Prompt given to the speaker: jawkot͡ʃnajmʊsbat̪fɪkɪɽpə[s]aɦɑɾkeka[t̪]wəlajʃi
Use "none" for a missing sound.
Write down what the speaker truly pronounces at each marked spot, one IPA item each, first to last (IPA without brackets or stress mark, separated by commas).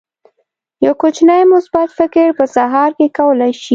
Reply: s, none